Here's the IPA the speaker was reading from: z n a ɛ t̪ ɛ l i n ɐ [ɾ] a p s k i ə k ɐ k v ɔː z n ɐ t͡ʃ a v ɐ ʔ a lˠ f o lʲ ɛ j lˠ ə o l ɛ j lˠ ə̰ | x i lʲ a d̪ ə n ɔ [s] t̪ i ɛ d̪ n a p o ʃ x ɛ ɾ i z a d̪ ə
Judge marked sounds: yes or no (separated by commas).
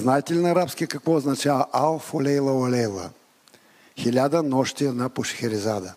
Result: yes, no